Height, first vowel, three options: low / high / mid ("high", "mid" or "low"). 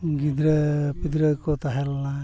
high